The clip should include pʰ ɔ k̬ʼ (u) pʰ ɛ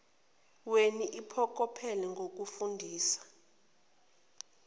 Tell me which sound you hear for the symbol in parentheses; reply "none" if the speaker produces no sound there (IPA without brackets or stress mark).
ɔ